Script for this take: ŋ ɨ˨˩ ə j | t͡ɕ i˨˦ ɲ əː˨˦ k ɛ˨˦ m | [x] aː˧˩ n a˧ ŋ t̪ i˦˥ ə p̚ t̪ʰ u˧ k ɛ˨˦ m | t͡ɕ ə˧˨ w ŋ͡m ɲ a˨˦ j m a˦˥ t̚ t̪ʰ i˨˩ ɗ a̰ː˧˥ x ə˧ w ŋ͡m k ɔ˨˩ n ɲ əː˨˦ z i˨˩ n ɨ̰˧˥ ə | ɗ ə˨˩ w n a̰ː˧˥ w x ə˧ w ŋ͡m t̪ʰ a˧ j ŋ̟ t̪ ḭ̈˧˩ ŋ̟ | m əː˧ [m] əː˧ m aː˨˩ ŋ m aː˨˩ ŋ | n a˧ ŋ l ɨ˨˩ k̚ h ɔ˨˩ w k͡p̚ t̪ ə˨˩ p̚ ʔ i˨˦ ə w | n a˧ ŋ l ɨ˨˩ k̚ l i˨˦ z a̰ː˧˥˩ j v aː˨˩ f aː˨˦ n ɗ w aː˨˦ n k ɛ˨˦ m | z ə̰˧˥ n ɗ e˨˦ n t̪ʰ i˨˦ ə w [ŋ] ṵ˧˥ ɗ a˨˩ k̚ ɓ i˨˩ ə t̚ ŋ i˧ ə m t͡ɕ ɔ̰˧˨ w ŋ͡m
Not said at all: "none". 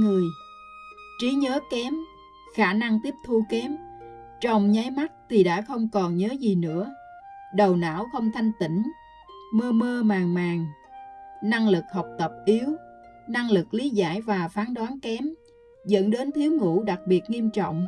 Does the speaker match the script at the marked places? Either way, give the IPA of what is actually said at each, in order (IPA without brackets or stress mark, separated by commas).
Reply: x, m, ŋ